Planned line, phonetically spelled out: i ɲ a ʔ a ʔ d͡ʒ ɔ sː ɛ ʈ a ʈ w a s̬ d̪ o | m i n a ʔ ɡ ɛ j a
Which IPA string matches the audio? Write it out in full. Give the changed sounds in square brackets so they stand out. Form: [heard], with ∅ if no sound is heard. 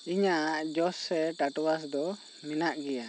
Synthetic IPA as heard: i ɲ a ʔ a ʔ d͡ʒ ɔ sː ɛ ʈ a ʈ w a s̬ d̪ [ɔ] | m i n a ʔ ɡ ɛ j a